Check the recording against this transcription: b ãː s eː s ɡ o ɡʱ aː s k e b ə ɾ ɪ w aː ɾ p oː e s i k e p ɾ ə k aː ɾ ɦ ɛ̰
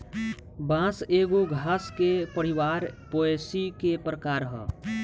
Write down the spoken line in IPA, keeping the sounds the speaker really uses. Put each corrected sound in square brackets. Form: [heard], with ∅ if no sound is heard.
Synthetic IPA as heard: b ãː s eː [∅] ɡ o ɡʱ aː s k e [p] ə ɾ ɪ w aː ɾ p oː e s i k e p ɾ ə k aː ɾ ɦ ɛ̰